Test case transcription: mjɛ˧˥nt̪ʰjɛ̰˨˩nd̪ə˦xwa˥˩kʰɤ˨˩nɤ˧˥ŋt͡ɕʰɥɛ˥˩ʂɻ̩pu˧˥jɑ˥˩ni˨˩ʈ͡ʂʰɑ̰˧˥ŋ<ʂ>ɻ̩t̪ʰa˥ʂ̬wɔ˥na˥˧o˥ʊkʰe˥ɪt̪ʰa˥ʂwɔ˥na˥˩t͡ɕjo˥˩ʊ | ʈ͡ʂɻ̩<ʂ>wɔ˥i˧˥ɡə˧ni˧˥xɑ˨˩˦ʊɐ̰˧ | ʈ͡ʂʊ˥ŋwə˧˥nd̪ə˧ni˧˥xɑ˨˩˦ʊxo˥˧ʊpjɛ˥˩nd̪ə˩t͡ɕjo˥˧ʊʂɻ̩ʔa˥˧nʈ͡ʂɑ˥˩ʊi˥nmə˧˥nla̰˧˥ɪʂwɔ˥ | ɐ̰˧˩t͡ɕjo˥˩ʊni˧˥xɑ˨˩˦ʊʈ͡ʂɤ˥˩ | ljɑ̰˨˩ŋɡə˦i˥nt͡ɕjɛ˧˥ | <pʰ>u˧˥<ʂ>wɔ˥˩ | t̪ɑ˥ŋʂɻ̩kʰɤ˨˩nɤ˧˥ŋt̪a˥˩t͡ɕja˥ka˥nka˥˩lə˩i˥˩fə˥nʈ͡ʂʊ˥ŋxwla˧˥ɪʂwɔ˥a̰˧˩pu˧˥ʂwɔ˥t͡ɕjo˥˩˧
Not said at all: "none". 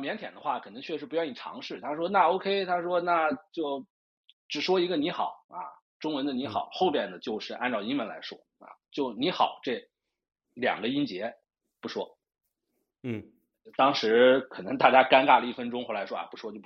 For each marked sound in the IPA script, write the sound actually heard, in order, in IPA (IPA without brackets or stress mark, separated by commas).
ʂ, ʂ, p, ʂ